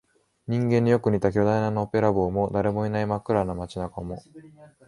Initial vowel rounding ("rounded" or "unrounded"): unrounded